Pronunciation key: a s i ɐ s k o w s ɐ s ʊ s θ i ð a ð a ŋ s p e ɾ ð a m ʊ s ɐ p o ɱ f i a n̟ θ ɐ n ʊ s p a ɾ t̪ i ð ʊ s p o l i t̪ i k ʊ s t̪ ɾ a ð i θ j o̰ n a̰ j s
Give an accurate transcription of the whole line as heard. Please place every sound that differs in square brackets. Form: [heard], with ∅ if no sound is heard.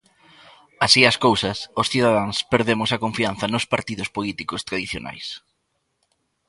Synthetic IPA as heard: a s i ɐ s k o w s ɐ s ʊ s θ i ð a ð a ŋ s p e ɾ ð [e] m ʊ s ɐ [k] o ɱ f i a n̟ θ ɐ n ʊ s p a ɾ t̪ i ð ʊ s p o l i t̪ i k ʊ s t̪ ɾ a ð i θ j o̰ n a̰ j s